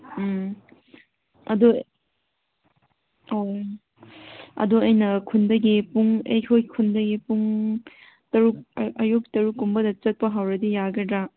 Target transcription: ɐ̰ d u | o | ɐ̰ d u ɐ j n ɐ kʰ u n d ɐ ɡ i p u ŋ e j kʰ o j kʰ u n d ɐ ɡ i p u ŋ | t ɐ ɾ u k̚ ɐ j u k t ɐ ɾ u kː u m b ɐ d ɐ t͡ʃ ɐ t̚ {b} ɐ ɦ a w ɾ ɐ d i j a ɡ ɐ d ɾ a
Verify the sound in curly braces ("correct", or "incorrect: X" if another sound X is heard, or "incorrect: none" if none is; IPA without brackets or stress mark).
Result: incorrect: p